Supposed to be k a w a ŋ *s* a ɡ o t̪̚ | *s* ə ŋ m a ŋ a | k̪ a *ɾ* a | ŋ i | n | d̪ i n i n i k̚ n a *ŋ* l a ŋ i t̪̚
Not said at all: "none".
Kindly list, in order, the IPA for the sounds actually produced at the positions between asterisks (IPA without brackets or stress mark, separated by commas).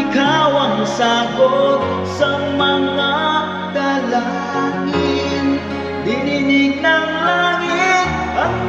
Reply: s, s, l, ŋ